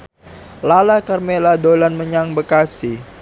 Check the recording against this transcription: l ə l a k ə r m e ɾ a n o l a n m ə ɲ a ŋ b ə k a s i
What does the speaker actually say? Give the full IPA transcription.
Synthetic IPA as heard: l a l a k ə r m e l a d o l a n m ə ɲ a ŋ b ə k a s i